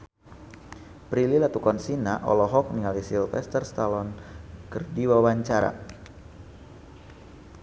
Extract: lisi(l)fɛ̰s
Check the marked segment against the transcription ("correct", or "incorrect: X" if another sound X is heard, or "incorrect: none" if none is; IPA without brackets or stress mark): correct